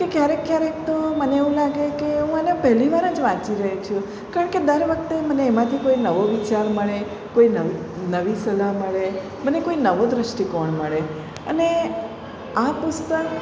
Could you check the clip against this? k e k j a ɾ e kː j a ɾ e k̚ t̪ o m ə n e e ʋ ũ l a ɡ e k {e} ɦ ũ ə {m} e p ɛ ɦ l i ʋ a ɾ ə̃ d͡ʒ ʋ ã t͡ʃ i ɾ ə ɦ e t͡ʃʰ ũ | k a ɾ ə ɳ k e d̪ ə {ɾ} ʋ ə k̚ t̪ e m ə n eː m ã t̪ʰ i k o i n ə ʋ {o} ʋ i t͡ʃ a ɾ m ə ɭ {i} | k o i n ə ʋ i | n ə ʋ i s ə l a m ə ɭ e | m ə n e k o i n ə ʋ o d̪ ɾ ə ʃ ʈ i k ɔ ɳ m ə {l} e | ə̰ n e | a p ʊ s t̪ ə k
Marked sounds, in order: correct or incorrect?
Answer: correct, incorrect, correct, correct, incorrect, incorrect

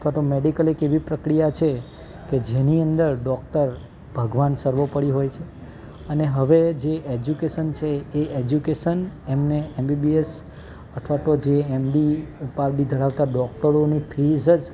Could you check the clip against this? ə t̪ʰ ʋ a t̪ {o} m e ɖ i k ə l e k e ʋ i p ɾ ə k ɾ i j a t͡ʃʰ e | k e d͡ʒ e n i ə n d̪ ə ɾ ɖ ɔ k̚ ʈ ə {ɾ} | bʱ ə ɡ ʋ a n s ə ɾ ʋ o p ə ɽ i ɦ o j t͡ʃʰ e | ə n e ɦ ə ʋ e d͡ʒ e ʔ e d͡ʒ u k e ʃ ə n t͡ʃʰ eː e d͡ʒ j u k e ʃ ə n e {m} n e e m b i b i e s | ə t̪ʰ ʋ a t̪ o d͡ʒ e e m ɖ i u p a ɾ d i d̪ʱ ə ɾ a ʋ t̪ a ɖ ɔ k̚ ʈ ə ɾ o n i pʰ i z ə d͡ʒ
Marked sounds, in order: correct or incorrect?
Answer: correct, correct, correct

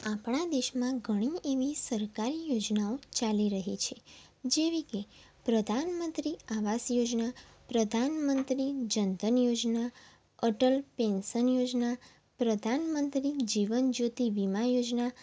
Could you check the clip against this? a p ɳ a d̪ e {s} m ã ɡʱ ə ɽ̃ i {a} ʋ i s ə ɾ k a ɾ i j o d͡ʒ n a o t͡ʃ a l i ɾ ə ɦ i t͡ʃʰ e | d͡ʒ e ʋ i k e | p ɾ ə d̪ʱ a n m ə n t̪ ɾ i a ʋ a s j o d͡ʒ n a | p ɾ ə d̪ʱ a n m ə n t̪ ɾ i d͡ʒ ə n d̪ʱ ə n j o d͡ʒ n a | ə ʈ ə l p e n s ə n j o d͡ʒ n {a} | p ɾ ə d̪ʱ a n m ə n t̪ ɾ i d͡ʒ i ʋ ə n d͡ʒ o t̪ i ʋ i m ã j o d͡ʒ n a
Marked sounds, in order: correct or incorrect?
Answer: incorrect, incorrect, correct

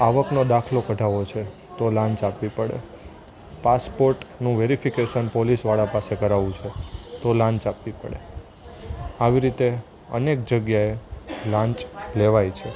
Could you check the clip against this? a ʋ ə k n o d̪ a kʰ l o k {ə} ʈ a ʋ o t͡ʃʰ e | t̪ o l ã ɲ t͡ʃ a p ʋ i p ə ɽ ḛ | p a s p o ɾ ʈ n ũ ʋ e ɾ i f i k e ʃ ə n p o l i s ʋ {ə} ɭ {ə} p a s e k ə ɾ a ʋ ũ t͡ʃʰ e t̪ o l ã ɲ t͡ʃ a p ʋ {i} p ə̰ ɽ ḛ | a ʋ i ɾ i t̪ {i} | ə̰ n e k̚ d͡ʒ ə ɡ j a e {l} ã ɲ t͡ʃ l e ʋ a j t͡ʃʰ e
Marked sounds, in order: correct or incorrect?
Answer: correct, incorrect, incorrect, correct, incorrect, correct

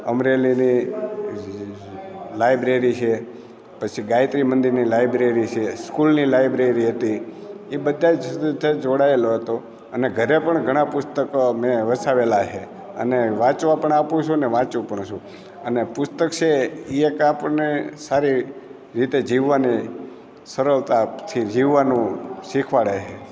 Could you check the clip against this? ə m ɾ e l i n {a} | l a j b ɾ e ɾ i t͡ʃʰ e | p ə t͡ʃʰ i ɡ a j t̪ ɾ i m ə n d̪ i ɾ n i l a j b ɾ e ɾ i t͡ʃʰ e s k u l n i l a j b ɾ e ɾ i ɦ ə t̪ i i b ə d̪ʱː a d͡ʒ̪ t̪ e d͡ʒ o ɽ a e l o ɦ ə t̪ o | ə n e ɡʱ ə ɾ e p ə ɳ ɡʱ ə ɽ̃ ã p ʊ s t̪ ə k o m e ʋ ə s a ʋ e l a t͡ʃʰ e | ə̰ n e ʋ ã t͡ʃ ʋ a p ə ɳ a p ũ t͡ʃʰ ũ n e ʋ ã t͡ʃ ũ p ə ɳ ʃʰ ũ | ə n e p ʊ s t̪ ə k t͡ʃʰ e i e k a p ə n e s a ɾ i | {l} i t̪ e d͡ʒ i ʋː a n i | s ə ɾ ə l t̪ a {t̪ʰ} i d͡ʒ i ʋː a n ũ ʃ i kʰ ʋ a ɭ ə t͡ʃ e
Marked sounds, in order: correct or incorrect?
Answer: incorrect, incorrect, correct

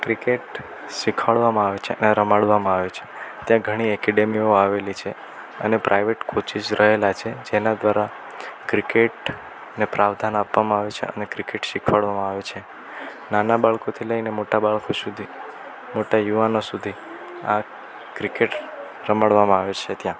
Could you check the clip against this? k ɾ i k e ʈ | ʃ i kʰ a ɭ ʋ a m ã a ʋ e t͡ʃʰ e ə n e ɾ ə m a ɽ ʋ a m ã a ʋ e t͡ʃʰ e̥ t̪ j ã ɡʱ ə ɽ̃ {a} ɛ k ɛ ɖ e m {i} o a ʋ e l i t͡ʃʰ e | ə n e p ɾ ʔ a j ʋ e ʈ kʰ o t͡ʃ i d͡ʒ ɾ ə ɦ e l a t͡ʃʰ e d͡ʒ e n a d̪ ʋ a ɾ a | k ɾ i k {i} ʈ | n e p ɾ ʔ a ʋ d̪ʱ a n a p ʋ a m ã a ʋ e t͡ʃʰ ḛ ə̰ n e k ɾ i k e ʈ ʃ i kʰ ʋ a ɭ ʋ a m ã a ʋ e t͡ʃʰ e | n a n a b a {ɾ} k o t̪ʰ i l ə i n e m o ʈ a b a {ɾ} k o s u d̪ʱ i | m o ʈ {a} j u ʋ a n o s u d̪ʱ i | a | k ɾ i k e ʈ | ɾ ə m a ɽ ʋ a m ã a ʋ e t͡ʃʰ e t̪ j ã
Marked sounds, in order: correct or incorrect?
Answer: incorrect, correct, incorrect, incorrect, incorrect, correct

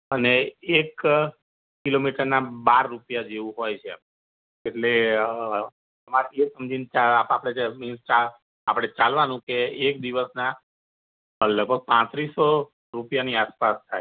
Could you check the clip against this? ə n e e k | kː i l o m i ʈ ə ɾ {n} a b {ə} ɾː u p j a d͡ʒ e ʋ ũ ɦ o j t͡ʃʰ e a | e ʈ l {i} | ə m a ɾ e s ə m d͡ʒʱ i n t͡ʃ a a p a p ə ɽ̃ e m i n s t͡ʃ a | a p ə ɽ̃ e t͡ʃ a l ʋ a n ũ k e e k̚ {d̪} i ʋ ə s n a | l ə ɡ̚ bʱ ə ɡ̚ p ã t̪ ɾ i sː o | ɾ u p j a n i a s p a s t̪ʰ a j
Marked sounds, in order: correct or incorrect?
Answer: correct, incorrect, incorrect, correct

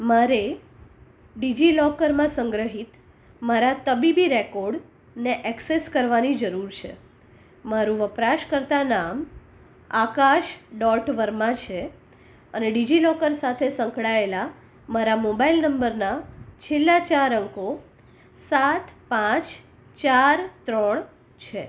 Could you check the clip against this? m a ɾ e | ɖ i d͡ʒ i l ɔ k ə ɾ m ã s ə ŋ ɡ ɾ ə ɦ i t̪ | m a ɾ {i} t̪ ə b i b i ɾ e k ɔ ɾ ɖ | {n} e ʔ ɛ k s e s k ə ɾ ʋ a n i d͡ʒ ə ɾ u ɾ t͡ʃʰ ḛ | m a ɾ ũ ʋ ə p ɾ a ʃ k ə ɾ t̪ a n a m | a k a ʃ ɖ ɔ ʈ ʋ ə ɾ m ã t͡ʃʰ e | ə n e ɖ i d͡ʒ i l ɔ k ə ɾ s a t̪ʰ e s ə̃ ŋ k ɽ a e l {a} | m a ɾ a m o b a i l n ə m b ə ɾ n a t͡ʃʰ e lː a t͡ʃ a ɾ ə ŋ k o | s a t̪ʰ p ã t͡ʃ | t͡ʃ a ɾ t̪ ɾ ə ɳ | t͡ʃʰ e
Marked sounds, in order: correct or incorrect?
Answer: incorrect, correct, correct

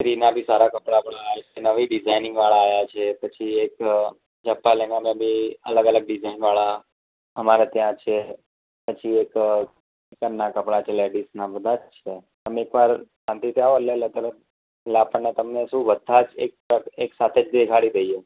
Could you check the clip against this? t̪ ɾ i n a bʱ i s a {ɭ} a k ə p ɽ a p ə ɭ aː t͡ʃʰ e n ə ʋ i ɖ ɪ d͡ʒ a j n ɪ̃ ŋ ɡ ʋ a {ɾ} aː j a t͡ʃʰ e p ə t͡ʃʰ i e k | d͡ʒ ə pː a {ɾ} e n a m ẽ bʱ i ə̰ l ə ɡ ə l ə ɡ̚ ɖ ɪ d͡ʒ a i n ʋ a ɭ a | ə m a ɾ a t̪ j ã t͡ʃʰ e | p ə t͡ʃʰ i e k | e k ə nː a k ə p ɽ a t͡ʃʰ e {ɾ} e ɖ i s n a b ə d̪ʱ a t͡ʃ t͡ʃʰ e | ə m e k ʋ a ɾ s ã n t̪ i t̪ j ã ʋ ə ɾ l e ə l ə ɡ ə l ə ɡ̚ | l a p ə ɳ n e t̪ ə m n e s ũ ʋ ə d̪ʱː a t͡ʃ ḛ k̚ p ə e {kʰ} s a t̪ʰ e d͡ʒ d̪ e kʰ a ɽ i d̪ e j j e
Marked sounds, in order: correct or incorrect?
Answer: incorrect, incorrect, incorrect, incorrect, incorrect

